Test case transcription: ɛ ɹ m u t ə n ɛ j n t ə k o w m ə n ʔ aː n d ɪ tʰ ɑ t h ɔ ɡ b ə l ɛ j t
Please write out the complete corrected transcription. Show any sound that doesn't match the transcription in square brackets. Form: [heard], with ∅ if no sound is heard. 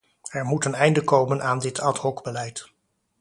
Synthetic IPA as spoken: ɛ ɹ m u t ə n ɛ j n [d] ə k o w m ə n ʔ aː n d ɪ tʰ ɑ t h ɔ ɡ b ə l ɛ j t